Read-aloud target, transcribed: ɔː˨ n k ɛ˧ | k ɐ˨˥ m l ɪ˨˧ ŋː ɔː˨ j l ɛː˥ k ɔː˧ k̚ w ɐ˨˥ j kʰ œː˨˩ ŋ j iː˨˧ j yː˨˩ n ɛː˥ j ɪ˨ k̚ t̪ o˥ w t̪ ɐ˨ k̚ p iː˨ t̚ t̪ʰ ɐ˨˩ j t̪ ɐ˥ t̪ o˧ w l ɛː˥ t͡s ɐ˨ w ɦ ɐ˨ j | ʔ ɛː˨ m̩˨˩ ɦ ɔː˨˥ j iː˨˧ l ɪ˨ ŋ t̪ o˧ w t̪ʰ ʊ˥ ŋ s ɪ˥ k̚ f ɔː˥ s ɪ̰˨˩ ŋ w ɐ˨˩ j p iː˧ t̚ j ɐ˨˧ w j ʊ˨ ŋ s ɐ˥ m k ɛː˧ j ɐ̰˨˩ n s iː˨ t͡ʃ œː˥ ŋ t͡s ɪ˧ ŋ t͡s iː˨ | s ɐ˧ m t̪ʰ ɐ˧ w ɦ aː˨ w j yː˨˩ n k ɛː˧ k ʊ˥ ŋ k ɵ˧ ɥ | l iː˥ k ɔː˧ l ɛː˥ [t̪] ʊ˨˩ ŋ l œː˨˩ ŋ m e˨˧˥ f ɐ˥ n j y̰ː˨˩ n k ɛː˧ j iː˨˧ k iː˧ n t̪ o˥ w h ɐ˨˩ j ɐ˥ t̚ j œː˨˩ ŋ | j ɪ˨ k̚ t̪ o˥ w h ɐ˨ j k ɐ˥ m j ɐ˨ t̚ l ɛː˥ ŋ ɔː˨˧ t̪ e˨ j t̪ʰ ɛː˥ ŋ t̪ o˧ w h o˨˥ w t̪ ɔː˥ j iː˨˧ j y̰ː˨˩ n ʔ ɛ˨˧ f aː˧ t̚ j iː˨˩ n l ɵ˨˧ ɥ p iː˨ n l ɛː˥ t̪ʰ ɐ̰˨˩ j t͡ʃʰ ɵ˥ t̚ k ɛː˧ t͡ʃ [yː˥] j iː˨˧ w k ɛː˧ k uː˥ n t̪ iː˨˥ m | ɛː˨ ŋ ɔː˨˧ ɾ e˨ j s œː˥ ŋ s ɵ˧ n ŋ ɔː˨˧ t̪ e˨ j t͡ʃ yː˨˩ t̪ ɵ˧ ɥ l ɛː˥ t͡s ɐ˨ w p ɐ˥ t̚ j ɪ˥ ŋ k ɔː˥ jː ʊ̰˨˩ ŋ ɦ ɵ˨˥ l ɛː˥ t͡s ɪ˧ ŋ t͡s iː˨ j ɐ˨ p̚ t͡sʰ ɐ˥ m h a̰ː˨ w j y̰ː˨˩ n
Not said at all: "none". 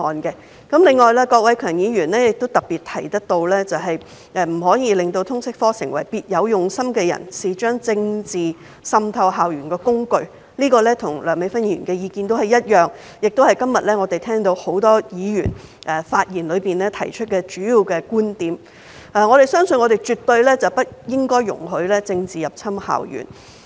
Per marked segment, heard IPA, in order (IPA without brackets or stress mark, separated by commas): t̪ʰ, yː˨˥